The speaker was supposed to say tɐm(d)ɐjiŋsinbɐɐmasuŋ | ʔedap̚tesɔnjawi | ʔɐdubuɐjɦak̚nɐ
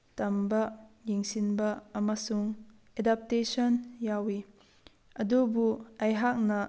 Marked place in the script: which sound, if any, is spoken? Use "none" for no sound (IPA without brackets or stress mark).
b